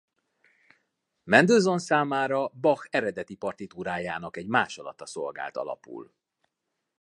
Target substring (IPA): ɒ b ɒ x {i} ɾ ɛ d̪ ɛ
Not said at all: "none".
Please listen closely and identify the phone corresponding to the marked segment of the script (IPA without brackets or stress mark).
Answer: ɛ